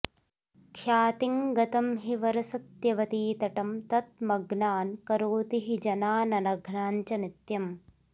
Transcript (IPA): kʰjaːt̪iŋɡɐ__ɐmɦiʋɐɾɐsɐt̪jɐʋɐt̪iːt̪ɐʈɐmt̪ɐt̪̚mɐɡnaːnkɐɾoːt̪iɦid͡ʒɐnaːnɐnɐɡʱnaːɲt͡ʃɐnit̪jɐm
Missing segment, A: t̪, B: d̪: A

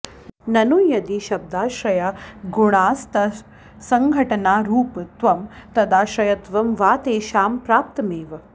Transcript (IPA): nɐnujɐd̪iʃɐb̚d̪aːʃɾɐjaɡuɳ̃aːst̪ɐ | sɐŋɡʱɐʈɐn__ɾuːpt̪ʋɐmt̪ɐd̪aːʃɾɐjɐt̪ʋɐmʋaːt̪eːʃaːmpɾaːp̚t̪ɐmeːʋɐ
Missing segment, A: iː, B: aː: B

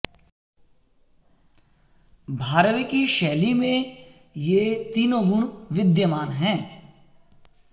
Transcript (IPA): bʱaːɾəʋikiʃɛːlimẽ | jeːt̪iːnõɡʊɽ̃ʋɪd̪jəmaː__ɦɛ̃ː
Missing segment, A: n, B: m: A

